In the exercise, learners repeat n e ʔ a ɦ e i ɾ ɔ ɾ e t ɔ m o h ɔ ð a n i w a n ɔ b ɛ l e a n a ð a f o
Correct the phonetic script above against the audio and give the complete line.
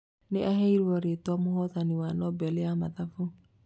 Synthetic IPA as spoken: n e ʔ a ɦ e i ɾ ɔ ɾ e t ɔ m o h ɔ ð a n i w a n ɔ b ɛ l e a m a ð a f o